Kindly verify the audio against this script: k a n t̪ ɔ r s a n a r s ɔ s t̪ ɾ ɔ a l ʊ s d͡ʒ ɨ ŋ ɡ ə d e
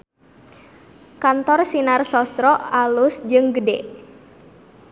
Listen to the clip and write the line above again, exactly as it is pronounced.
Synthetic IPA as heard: k a n t̪ ɔ r s i n a r s ɔ s t̪ ɾ ɔ a l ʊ s d͡ʒ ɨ ŋ ɡ ə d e